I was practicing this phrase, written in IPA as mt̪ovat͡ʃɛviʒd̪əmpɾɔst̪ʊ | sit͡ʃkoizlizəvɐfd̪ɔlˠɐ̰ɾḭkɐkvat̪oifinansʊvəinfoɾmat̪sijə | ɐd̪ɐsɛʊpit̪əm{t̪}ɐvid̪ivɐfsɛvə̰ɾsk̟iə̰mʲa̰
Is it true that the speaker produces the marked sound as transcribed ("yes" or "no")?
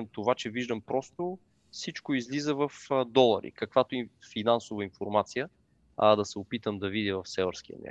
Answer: no